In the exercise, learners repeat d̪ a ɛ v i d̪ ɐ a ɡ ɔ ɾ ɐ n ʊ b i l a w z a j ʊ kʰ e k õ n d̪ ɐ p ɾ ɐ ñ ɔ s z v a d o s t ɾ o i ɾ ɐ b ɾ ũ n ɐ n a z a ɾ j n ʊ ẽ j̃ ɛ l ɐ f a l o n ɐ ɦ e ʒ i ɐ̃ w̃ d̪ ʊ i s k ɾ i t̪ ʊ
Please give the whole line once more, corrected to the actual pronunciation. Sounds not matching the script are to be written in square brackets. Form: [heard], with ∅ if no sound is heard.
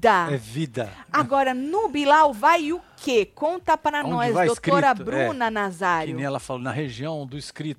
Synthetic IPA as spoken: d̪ a ɛ v i d̪ ɐ a ɡ ɔ ɾ ɐ n ʊ b i l a w [v] a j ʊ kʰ e k õ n [t̪] ɐ p ɾ ɐ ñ ɔ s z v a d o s t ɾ o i ɾ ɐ b ɾ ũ n ɐ n a z a ɾ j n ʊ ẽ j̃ ɛ l ɐ f a l o n ɐ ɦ e ʒ i ɐ̃ w̃ d̪ ʊ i s k ɾ i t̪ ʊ